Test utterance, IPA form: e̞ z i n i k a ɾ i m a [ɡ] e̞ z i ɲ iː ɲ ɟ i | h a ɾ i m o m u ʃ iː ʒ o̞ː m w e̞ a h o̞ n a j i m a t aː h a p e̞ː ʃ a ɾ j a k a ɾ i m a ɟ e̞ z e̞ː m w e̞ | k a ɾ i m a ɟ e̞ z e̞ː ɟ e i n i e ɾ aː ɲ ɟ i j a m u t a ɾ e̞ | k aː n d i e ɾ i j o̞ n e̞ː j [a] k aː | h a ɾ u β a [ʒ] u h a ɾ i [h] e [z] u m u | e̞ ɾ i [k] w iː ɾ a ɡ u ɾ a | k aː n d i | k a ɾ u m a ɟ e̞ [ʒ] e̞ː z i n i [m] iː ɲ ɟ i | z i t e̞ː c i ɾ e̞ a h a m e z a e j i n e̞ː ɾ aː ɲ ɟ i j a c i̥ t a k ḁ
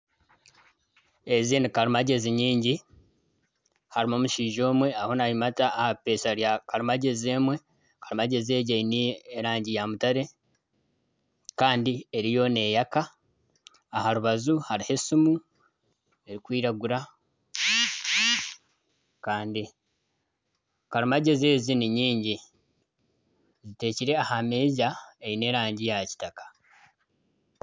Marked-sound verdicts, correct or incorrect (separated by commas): incorrect, correct, incorrect, correct, incorrect, correct, incorrect, incorrect